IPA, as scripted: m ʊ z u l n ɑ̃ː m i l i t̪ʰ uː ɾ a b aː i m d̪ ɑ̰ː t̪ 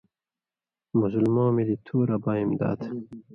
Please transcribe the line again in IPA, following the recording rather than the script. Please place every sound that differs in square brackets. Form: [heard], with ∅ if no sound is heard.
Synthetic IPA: m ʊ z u l [m] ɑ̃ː m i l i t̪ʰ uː ɾ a b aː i m d̪ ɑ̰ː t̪

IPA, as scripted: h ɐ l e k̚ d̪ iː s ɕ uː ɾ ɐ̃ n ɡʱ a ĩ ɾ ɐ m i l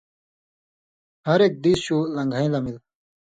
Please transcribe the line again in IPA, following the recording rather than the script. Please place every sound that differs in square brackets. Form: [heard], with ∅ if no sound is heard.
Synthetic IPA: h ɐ [ɾ] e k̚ d̪ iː s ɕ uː [l] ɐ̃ [ŋ] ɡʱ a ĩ [l] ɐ m i l

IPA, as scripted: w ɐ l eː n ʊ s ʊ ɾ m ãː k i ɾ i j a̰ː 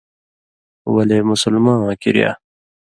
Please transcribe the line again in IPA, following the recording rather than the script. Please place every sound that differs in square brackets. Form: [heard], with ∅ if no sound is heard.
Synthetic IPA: w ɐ l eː [m] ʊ s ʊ [l] m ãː k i ɾ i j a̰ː

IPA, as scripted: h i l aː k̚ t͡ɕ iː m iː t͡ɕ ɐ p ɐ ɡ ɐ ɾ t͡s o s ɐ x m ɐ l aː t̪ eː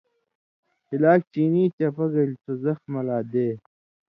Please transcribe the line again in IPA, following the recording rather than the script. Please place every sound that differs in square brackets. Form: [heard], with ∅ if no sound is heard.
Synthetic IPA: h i l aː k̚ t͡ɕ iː [n] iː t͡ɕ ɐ p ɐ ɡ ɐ [l] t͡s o [z] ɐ x m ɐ l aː [d̪] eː

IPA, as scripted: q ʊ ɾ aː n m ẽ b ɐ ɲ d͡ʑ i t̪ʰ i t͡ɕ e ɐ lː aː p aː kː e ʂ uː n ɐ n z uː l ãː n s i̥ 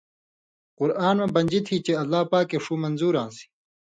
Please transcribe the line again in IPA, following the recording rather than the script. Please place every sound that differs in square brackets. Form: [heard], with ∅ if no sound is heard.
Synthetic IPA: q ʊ ɾ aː n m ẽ b ɐ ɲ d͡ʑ i t̪ʰ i t͡ɕ e ɐ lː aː p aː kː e ʂ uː [m] ɐ n z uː [ɾ] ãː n s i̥

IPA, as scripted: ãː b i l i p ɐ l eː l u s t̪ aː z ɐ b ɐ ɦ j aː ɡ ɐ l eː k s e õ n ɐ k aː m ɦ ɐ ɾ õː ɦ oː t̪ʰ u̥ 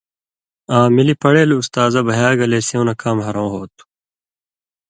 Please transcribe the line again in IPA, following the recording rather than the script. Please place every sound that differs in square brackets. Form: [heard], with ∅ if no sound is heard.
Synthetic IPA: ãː [m] i l i p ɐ [ɽ] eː l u s t̪ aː z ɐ b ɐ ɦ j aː ɡ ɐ l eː [∅] s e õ n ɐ k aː m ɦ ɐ ɾ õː ɦ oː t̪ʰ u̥

